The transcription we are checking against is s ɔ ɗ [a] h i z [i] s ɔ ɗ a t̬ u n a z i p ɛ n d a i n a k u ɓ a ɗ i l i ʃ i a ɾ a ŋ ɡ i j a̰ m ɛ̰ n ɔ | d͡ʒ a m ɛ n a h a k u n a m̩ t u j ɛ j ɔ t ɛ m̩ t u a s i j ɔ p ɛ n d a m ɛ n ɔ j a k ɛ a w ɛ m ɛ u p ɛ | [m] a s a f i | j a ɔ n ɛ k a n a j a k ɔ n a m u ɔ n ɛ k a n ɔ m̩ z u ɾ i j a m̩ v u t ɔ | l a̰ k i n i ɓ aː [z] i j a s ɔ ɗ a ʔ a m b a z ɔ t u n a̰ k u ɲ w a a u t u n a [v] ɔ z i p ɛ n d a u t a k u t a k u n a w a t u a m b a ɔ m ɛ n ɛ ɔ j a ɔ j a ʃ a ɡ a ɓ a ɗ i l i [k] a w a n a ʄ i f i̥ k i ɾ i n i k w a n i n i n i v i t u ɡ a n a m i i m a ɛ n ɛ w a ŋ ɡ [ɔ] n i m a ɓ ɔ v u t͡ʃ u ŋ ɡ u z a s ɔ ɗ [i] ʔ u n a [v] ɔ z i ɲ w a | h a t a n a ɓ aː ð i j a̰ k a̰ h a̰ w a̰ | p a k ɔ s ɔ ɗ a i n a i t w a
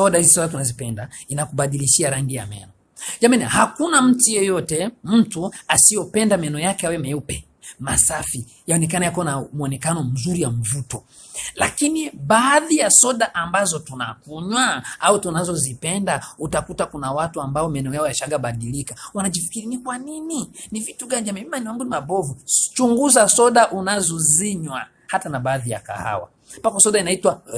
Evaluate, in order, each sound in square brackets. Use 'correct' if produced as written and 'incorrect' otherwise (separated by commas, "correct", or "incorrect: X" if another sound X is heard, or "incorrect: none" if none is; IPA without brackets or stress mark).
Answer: correct, correct, correct, incorrect: ð, incorrect: z, correct, incorrect: u, incorrect: a, incorrect: z